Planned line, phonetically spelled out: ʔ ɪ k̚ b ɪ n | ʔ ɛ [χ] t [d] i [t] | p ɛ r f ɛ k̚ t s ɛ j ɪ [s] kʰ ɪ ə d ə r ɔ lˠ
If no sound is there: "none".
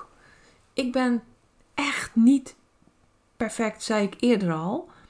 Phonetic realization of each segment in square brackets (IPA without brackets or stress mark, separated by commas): x, n, t, none